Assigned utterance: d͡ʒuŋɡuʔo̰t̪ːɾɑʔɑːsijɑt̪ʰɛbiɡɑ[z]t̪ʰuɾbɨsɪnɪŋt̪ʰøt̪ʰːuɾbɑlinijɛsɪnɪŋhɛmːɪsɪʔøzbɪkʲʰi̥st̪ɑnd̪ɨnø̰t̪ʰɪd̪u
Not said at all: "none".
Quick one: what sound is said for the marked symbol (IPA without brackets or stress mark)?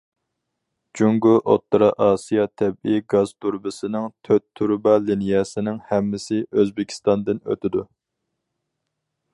z